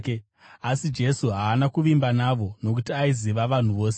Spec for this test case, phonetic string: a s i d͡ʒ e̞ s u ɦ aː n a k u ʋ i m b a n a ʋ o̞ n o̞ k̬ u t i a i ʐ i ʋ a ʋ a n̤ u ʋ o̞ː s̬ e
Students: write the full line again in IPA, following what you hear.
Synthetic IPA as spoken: a s i d͡ʒ e̞ s u ɦ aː n a k u ʋ i m b a n a ʋ o̞ n o̞ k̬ u t i a i z i ʋ a ʋ a n̤ u ʋ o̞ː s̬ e